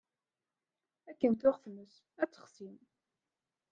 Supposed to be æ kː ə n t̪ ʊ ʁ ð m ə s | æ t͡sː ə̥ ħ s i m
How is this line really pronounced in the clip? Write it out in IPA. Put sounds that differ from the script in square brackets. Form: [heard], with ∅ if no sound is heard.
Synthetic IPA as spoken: æ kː ə n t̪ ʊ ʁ [θ] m ə s | æ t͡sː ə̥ [χ] s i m